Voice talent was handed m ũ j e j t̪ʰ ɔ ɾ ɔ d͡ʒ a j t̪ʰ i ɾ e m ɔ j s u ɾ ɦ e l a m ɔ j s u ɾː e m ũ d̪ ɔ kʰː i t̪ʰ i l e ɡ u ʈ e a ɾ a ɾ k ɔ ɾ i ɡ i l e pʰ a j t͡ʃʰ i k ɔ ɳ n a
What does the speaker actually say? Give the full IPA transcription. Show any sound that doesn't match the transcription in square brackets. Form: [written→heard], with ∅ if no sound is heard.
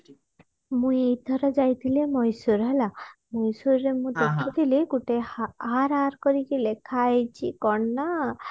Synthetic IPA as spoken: m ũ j e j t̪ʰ ɔ ɾ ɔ d͡ʒ a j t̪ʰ i [ɾ→l] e m ɔ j s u ɾ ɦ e l a m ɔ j s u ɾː e m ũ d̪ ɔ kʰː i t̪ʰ i l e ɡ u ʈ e a ɾ a ɾ k ɔ ɾ i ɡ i l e [pʰ→kʰ] a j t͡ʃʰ i k ɔ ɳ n a